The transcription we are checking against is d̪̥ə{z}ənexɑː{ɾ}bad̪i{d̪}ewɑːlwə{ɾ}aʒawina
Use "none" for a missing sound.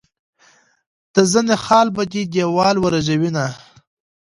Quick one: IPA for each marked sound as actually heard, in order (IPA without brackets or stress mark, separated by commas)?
z, l, d̪, ɾ